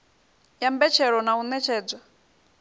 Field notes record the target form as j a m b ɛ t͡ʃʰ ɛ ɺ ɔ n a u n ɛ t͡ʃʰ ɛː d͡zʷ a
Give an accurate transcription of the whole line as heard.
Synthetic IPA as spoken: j a m b ɛ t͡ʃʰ ɛ ɺ ɔ n a u n ɛ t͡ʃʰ ɛː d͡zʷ a